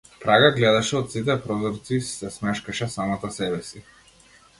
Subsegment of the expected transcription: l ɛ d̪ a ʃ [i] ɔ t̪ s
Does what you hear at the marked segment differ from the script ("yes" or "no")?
yes